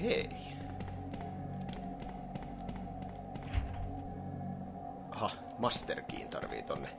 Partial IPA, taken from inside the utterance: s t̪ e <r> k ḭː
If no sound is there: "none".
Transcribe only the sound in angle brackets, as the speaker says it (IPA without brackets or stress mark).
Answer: r